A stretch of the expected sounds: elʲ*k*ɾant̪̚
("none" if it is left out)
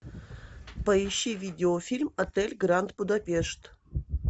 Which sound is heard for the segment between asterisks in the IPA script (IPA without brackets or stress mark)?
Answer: ɡ